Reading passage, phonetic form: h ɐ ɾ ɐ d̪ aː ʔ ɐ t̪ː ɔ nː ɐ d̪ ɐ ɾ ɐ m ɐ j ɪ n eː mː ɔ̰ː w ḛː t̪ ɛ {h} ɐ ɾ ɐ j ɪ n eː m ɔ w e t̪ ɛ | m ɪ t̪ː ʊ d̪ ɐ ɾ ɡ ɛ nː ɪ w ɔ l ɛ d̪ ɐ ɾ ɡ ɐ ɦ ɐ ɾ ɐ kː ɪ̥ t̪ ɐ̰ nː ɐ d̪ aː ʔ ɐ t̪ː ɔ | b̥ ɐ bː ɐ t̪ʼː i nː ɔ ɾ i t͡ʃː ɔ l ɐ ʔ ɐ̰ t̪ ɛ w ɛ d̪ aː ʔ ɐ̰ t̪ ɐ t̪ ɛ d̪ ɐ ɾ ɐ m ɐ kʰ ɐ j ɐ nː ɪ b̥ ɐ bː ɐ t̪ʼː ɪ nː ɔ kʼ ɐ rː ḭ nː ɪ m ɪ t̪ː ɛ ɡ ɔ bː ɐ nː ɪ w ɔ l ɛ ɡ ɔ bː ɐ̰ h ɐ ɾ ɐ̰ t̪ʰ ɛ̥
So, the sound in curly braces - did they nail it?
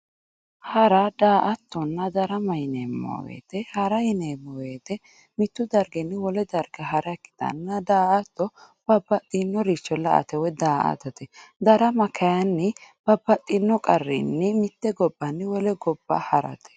yes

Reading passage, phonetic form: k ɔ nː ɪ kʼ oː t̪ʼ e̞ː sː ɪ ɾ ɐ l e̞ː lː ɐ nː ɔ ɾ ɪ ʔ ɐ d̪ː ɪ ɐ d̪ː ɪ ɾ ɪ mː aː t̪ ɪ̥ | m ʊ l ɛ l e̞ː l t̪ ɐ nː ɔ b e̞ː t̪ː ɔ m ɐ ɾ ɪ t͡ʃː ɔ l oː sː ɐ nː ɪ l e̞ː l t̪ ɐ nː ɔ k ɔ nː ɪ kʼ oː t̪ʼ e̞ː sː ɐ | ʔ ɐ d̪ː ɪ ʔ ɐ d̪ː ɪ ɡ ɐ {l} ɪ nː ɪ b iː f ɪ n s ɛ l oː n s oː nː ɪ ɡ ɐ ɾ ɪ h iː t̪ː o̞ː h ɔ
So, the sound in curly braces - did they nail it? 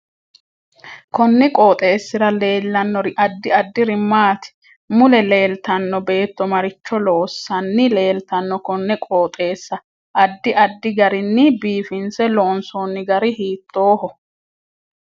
no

